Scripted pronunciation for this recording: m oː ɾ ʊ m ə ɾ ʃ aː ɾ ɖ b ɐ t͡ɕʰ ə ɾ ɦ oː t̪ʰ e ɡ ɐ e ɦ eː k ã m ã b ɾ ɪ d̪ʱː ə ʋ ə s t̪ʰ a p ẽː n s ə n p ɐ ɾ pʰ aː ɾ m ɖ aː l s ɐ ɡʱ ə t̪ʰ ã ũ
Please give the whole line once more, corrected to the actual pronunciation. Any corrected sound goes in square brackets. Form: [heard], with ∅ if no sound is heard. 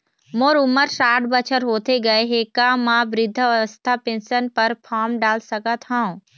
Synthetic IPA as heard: m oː ɾ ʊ m ə ɾ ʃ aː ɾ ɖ b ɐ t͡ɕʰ ə ɾ ɦ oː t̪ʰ e ɡ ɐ e ɦ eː k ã m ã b ɾ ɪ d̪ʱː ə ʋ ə s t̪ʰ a p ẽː n s ə n p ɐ ɾ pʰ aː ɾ m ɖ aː l s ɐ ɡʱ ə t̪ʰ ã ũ